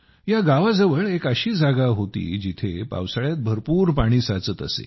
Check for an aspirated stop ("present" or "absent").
present